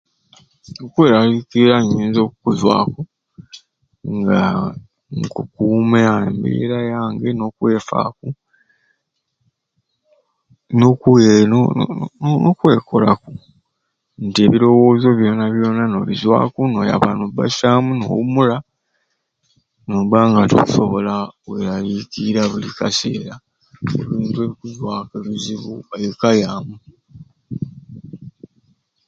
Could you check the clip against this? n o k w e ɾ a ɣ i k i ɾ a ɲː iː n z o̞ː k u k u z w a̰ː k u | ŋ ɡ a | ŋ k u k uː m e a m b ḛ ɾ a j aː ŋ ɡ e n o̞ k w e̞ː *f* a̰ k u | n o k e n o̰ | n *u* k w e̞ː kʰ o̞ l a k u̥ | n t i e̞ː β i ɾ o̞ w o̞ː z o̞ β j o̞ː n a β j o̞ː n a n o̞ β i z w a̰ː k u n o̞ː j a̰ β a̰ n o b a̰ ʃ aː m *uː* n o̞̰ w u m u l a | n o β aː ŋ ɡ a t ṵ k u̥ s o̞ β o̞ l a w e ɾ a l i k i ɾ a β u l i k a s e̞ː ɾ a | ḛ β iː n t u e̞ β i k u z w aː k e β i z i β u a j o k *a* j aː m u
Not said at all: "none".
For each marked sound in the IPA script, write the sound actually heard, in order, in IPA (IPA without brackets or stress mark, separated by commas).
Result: f, o, u, a